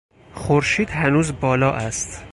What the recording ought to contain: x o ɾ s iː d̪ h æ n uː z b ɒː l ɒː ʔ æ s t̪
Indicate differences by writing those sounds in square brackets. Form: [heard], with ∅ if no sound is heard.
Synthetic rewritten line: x o ɾ [ʃ] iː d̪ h æ n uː z b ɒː l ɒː ʔ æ s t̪